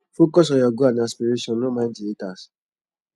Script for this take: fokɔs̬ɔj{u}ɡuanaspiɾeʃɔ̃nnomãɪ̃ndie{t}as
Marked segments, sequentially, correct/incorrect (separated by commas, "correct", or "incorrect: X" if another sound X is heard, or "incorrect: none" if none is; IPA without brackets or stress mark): incorrect: ɔ, correct